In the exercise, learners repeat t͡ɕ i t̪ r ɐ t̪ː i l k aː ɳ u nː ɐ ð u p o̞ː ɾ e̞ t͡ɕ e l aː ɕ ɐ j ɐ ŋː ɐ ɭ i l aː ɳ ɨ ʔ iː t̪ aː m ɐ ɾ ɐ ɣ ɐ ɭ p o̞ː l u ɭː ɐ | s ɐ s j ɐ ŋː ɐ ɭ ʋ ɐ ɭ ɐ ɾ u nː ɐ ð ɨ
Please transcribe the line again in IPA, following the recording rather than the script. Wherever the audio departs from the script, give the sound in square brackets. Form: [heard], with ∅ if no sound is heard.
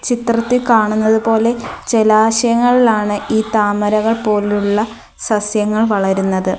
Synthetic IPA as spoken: t͡ɕ i t̪ r ɐ t̪ː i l k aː ɳ u nː ɐ ð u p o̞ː [l] e̞ t͡ɕ e l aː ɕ ɐ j ɐ ŋː ɐ ɭ i l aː ɳ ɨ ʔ iː t̪ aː m ɐ ɾ ɐ ɣ ɐ ɭ p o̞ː l u ɭː ɐ | s ɐ s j ɐ ŋː ɐ ɭ ʋ ɐ ɭ ɐ ɾ u nː ɐ ð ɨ